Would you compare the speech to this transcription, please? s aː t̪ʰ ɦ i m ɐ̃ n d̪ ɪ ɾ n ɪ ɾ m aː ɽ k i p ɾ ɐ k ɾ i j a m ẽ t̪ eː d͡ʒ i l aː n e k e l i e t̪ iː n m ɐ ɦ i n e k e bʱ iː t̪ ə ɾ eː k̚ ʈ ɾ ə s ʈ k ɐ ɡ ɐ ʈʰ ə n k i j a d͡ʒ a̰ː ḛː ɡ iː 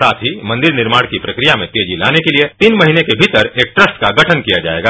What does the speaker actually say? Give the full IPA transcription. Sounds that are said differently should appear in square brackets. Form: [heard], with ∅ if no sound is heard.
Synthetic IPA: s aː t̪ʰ ɦ i m ɐ̃ n d̪ ɪ ɾ n ɪ ɾ m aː ɽ k i p ɾ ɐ k ɾ i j a m ẽ t̪ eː d͡ʒ i l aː n e k e l i e t̪ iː n m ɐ ɦ i n e k e bʱ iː t̪ ə ɾ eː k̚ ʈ ɾ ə s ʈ k [a] ɡ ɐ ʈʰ ə n k i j a d͡ʒ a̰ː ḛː ɡ [aː]